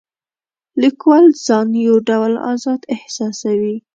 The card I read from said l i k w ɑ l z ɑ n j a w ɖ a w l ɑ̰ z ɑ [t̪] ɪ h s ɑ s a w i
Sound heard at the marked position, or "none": d̪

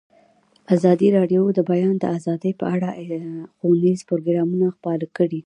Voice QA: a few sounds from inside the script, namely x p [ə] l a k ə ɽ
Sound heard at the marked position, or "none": ɑ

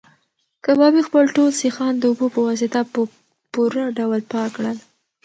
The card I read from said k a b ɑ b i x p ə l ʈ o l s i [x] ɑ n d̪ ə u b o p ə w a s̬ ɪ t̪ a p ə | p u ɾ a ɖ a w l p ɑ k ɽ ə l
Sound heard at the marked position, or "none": x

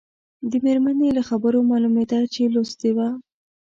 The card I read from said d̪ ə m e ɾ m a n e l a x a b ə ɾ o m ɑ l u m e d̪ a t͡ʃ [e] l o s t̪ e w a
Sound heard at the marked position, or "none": e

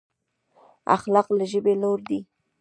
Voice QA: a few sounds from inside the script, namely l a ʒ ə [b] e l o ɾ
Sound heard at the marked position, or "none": b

